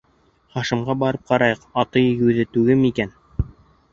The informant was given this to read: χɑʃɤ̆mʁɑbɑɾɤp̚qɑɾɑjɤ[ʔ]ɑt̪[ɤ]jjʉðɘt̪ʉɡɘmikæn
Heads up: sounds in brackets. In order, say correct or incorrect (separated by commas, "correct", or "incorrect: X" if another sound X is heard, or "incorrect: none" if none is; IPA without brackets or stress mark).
incorrect: q, correct